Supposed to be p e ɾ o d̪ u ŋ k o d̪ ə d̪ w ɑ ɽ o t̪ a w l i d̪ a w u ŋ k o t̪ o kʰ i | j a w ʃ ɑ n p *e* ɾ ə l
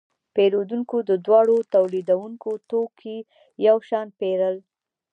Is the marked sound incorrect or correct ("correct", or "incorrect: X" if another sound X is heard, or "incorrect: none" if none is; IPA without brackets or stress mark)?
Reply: correct